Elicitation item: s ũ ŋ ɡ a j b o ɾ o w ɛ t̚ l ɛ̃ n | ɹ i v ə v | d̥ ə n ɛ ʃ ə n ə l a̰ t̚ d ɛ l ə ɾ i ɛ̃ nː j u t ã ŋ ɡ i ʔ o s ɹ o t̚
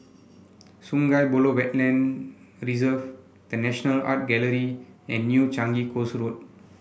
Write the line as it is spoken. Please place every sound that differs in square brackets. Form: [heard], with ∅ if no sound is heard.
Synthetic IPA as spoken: s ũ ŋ ɡ a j b o [l] o w ɛ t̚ l ɛ̃ n | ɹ i [z] ə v | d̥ ə n ɛ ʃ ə n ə l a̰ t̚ [ɡ] ɛ l ə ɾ i ɛ̃ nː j u [t͡ʃ] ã ŋ ɡ i [k] o s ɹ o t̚